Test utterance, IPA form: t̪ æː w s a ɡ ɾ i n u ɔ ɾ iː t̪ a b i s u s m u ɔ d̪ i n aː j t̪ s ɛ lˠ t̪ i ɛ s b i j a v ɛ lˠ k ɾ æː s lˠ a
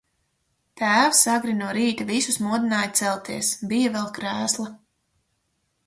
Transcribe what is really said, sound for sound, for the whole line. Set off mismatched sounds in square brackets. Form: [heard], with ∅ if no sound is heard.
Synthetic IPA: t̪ æː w s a ɡ ɾ i n u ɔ ɾ iː t̪ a [v] i s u s m u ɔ d̪ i n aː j t̪ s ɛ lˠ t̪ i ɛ s b i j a v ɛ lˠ k ɾ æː s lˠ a